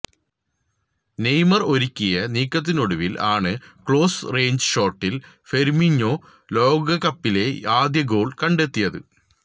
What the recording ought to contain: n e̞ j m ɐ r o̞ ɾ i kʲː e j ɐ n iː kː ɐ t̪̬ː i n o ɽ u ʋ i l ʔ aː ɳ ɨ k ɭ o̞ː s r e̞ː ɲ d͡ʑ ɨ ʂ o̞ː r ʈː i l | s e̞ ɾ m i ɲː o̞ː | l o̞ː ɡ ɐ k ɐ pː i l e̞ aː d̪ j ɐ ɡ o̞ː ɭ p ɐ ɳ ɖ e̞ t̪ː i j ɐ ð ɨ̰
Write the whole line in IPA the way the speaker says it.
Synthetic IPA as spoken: n e̞ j m ɐ r o̞ ɾ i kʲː i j ɐ n iː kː ɐ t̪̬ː i n o ɽ u ʋ i l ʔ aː ɳ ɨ k ɭ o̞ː s r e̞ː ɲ d͡ʑ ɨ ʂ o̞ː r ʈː i l | f e̞ ɾ m i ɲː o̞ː | l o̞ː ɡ ɐ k ɐ pː i l e̞ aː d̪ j ɐ ɡ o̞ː ɭ k ɐ ɳ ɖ e̞ t̪ː i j ɐ ð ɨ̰